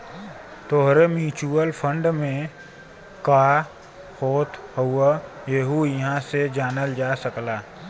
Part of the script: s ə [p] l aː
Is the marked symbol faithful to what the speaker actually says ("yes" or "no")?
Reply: no